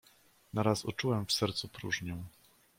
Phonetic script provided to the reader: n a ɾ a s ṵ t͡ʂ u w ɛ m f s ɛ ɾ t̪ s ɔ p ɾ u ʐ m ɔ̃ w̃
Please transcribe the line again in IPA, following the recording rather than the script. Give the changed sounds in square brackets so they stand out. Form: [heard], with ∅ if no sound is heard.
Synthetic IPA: n a ɾ a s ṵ t͡ʂ u w ɛ m f s ɛ ɾ t̪ s [u] p ɾ u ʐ [ɲ] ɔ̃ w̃